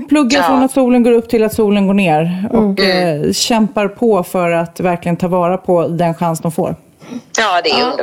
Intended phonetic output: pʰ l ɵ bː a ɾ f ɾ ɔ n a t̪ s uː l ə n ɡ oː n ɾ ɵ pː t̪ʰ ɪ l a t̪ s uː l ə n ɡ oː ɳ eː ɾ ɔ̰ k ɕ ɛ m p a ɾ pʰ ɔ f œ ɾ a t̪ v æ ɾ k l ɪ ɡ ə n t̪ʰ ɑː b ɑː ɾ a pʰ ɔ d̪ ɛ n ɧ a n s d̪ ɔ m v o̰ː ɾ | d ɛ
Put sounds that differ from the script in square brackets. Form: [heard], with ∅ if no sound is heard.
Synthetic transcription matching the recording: pʰ l ɵ [ɡː] a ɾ f ɾ ɔ n a t̪ s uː l ə n ɡ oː [∅] ɾ ɵ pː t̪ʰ ɪ l a t̪ s uː l ə n ɡ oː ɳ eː ɾ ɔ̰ k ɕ ɛ m p a ɾ pʰ ɔ f œ ɾ a t̪ v æ ɾ k l ɪ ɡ ə n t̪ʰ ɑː [v] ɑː ɾ a pʰ ɔ d̪ ɛ n ɧ a n s d̪ ɔ m [f] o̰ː ɾ | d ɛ